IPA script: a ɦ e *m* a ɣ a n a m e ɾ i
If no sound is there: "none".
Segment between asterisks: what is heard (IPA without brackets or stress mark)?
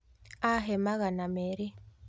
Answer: m